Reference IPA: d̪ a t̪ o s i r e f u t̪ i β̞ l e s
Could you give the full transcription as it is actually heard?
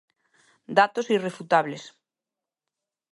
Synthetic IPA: d̪ a t̪ o s i r e f u t̪ a β̞ l e s